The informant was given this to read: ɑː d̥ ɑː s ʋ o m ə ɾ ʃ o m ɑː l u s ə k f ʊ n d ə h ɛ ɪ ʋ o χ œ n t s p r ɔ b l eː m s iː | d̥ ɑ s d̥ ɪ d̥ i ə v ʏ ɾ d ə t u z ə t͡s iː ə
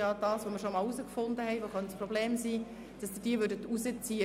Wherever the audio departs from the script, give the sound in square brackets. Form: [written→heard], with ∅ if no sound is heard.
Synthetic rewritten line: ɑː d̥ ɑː s ʋ o m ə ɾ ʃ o m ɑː l u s ə k f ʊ n d ə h ɛ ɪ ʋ o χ œ n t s p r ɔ b l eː m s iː | d̥ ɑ s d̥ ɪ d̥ i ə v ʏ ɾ d ə t u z ə t͡s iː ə